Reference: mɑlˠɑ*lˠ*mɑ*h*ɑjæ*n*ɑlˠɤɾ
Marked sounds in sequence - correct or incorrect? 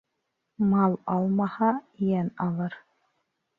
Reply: correct, correct, correct

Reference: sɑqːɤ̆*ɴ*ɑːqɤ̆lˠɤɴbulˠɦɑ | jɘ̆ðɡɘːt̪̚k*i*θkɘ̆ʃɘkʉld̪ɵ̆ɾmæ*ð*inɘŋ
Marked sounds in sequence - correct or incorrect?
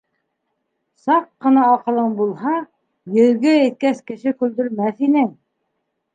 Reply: incorrect, incorrect, incorrect

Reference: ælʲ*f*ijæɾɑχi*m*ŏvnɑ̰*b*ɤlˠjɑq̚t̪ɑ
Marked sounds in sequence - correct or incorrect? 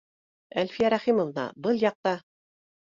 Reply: correct, correct, correct

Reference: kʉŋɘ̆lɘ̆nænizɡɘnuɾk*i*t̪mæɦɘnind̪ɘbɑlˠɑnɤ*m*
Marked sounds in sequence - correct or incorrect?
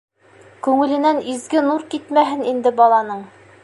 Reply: correct, incorrect

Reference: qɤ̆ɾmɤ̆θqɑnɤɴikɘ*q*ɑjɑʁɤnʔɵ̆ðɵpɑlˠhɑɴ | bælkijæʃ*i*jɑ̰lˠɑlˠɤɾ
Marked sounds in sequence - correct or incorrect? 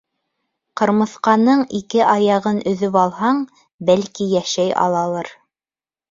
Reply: incorrect, incorrect

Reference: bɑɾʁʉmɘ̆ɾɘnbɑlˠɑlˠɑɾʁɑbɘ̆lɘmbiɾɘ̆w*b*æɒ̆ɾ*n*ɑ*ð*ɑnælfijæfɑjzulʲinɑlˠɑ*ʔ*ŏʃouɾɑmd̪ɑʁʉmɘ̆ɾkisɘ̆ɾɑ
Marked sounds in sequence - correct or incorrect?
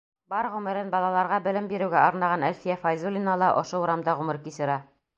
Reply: incorrect, correct, incorrect, correct

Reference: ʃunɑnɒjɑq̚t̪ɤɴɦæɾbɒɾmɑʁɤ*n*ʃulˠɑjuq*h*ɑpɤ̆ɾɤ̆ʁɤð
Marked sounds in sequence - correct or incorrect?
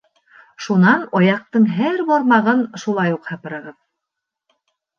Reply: correct, correct

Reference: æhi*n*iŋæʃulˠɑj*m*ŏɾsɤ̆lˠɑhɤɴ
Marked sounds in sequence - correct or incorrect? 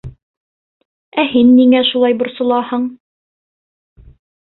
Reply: incorrect, incorrect

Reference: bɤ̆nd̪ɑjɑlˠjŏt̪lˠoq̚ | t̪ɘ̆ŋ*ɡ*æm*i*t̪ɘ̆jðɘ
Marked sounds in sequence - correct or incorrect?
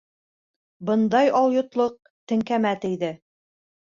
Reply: incorrect, incorrect

